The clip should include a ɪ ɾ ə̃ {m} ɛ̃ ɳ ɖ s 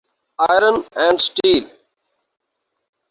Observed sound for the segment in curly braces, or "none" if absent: n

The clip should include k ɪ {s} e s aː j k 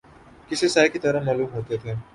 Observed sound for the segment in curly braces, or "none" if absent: s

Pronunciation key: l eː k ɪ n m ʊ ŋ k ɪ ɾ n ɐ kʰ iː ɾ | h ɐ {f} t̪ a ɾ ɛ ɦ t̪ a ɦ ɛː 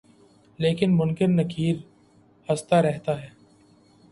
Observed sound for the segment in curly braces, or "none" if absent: s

